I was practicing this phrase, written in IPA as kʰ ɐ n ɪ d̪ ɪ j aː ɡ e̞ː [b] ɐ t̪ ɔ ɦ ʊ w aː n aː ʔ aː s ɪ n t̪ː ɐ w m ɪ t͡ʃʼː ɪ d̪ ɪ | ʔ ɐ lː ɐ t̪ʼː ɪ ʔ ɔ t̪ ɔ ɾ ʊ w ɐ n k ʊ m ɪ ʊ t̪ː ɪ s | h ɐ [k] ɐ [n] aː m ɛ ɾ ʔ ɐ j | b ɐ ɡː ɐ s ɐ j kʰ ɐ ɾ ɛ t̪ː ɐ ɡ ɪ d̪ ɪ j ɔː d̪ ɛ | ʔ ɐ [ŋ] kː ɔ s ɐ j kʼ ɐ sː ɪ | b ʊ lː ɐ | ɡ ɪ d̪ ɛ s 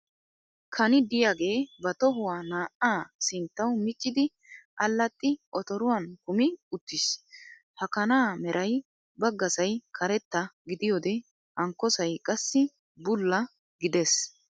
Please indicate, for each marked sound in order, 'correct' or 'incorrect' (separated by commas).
correct, correct, correct, correct